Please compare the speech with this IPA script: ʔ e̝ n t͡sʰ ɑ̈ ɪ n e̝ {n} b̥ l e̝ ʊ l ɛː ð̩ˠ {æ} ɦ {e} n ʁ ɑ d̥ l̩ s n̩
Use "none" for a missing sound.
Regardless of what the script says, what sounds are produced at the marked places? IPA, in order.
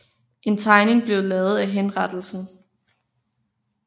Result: ŋ, æ, e

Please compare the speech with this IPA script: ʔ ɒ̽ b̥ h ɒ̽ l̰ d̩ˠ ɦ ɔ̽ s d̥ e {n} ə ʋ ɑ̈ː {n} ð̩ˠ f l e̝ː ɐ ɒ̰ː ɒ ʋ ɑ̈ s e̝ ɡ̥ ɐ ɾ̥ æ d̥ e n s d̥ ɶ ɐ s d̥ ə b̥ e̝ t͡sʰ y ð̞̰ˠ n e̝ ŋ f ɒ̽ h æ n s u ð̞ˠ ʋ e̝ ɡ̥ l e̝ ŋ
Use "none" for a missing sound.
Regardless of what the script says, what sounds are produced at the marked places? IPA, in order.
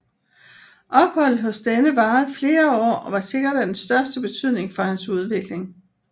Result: n, none

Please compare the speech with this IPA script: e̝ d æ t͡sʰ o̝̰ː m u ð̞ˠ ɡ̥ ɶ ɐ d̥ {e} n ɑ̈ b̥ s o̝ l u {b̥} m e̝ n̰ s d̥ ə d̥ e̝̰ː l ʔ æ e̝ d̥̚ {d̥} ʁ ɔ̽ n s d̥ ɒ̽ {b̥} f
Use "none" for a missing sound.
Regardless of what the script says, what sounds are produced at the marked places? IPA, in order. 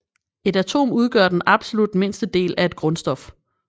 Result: e, d̥, ɡ̥, none

